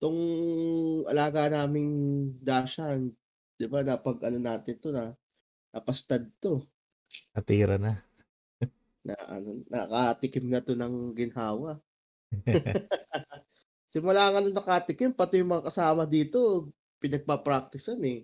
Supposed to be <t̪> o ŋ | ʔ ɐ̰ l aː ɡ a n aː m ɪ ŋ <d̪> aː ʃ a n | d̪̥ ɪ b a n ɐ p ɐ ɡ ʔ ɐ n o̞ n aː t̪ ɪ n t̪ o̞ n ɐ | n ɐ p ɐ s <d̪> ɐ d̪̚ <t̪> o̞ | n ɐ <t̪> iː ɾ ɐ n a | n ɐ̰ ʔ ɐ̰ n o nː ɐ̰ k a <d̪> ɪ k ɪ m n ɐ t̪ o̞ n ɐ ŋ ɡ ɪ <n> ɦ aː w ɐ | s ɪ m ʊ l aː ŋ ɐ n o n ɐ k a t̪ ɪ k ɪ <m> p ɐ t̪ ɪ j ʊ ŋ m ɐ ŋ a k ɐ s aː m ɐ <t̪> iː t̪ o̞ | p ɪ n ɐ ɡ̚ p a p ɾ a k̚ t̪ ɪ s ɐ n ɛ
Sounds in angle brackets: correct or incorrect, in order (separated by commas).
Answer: correct, correct, incorrect, correct, correct, incorrect, correct, correct, incorrect